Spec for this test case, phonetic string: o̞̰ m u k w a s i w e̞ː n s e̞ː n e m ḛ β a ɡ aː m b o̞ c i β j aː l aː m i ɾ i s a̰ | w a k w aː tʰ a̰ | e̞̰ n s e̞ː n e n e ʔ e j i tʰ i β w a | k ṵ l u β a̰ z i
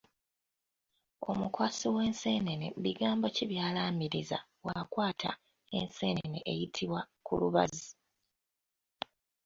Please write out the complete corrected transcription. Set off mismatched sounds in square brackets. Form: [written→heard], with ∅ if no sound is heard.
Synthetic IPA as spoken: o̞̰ m u k w a s i w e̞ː n s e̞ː n e [m→n] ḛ β [a→i] ɡ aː m b o̞ c i β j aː l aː m i ɾ i [s→z] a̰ | w a k w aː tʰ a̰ | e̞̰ n s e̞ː n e n e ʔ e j i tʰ i β w a | k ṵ l u β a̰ z i